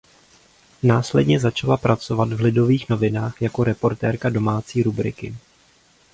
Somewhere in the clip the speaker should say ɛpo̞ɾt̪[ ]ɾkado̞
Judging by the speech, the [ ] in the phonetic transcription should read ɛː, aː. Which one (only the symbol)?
ɛː